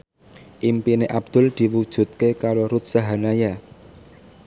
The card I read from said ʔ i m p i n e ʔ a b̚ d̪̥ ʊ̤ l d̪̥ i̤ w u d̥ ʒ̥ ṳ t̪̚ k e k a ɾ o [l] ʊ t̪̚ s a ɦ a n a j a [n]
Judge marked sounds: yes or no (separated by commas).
no, no